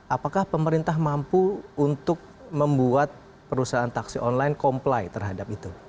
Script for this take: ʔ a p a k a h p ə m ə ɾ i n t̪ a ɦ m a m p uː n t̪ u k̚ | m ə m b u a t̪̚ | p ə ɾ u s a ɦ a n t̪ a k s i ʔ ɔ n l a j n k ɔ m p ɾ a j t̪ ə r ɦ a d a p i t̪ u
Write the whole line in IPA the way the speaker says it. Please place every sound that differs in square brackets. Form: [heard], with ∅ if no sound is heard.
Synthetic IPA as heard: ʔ a p a k a h p ə m ə ɾ i n t̪ a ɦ m a m p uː n t̪ [ʊ] k̚ | m ə m b u a t̪̚ | p ə ɾ u s a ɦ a n t̪ a k s i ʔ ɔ n l a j n k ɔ m p [l] a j t̪ ə r ɦ a d a p i t̪ u